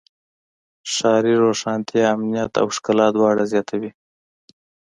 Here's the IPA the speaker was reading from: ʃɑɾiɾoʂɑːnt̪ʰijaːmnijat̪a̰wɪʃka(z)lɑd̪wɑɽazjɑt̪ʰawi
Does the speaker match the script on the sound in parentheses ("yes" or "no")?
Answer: no